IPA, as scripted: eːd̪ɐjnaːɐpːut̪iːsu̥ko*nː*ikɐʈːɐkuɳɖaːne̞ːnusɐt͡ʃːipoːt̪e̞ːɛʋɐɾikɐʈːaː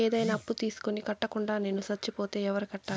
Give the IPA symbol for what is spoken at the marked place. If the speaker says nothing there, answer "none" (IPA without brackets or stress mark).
n